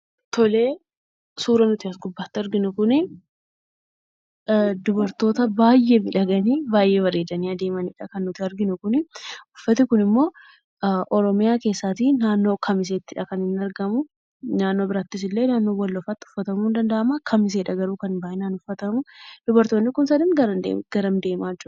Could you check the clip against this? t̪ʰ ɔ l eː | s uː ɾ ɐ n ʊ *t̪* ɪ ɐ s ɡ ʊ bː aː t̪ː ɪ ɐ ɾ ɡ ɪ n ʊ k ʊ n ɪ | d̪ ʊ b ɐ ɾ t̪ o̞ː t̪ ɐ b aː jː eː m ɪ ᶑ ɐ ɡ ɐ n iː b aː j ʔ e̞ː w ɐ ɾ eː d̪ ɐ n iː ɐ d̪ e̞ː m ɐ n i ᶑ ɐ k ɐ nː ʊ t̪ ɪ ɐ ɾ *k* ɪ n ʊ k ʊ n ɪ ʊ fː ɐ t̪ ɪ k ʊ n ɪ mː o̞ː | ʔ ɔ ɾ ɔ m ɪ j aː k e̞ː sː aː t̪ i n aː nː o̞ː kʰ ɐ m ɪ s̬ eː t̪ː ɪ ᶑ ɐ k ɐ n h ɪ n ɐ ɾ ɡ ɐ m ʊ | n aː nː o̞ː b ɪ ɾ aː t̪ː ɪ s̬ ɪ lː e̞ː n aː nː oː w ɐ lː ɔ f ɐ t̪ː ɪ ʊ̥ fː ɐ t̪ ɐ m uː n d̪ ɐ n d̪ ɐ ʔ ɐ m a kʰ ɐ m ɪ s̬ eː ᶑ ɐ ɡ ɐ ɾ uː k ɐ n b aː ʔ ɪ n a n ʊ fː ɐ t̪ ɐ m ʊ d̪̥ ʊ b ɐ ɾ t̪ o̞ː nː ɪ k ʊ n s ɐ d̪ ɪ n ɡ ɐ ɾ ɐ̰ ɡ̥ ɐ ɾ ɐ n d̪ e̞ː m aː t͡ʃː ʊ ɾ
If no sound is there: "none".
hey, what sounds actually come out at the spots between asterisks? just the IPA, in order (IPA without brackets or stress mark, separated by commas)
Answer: t̪, ɡ